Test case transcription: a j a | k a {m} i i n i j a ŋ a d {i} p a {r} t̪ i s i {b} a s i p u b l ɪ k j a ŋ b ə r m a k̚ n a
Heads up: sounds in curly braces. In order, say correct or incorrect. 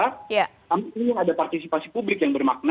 correct, incorrect, correct, incorrect

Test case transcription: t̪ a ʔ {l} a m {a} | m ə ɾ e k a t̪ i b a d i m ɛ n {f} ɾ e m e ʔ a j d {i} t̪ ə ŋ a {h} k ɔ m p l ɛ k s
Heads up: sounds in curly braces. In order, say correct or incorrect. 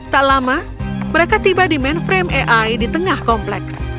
correct, correct, correct, correct, correct

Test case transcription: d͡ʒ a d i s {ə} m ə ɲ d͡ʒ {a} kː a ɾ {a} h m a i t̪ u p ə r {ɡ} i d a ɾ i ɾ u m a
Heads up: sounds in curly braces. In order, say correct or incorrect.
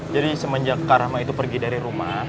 correct, correct, correct, correct

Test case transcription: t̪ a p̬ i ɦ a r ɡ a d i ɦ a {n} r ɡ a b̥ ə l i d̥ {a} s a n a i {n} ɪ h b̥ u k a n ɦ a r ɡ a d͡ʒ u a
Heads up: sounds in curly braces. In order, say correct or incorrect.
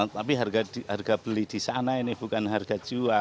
incorrect, incorrect, correct

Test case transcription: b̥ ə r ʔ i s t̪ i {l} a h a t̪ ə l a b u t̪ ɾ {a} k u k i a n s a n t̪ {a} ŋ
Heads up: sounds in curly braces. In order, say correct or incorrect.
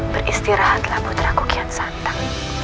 incorrect, correct, correct

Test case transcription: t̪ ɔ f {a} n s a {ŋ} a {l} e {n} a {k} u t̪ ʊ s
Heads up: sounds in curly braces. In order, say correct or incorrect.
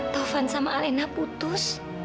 correct, incorrect, correct, correct, incorrect

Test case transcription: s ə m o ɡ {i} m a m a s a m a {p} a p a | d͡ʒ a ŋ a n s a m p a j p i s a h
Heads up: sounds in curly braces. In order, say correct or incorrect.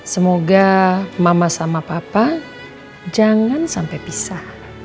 incorrect, correct

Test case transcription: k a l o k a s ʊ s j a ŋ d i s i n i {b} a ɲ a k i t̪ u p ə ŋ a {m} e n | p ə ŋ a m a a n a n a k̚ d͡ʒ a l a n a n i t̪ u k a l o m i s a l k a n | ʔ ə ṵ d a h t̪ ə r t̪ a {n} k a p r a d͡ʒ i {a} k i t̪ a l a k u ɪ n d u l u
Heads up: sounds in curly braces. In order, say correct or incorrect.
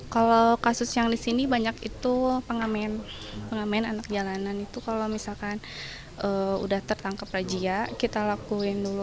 correct, correct, incorrect, correct

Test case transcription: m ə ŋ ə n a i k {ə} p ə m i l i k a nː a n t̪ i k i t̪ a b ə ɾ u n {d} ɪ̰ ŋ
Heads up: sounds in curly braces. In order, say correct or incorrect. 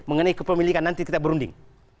correct, correct

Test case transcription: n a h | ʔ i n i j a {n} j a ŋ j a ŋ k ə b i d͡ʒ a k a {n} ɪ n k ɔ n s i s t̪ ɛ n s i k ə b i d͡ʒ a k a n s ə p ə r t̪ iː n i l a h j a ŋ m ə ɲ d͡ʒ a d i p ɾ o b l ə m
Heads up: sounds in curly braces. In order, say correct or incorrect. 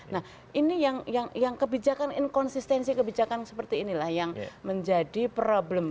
incorrect, correct

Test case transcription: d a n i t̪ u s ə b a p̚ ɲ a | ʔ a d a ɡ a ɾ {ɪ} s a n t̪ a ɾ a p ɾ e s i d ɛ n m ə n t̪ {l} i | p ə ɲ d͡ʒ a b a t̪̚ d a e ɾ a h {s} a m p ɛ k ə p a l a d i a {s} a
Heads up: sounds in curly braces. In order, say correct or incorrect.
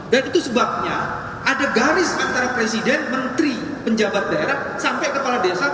correct, incorrect, correct, correct

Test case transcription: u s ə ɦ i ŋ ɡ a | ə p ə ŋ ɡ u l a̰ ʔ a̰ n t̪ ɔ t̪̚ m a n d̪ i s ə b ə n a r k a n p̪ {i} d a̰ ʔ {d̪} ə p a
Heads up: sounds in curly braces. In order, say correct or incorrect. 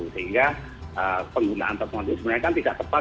correct, incorrect

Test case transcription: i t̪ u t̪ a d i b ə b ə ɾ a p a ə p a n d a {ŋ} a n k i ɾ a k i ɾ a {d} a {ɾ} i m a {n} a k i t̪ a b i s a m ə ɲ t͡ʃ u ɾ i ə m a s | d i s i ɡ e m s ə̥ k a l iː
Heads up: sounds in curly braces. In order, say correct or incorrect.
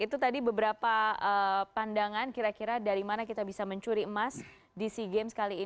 correct, correct, correct, correct

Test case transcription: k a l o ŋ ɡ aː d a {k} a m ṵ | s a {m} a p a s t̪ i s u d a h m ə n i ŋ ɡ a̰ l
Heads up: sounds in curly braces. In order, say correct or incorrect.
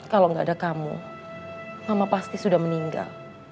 correct, correct

